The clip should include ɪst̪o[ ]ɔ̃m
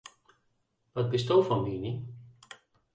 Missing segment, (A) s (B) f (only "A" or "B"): B